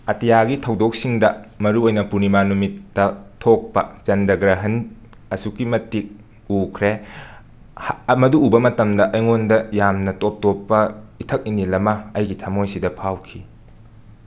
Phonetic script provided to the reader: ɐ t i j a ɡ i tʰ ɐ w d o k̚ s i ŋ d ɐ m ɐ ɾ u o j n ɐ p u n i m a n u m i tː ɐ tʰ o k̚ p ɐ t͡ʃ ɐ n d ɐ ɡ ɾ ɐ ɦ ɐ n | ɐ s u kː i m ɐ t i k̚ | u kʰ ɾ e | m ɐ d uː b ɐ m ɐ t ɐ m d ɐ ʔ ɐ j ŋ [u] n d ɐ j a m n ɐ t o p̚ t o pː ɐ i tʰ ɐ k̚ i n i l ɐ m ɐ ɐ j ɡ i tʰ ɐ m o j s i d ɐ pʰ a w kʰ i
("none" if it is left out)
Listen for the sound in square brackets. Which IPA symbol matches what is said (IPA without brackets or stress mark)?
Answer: o